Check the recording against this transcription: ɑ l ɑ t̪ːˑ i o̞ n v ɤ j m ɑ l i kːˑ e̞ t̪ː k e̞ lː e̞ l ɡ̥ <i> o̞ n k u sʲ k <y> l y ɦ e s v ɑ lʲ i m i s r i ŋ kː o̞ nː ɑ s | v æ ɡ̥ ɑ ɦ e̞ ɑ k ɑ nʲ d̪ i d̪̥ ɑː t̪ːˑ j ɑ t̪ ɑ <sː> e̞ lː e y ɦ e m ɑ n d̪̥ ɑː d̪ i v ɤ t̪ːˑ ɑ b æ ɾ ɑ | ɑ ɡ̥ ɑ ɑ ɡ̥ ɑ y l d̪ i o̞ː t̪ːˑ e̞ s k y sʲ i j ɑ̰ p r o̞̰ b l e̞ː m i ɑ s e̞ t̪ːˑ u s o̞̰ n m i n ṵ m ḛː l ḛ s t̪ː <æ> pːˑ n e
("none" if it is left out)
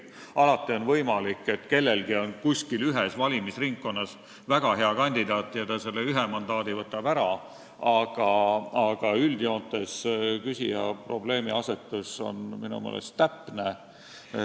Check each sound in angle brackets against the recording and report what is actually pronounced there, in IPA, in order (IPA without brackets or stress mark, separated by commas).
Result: i, i, s, æ